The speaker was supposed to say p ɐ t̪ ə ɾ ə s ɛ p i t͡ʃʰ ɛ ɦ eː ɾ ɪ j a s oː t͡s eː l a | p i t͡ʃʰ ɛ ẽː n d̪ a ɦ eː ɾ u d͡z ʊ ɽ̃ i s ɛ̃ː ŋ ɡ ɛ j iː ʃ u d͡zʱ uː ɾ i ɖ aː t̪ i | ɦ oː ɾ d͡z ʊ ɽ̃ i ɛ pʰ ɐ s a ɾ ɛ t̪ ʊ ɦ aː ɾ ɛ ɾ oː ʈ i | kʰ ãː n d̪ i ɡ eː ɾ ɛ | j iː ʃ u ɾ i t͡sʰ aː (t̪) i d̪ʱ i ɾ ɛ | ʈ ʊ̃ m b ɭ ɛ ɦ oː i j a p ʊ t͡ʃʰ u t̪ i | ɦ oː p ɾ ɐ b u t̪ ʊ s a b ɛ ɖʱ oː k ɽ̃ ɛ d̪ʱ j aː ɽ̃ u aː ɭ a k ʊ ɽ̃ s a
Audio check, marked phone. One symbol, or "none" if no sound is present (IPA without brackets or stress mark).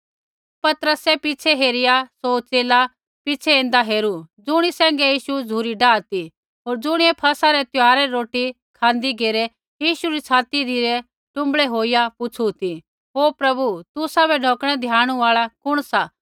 t̪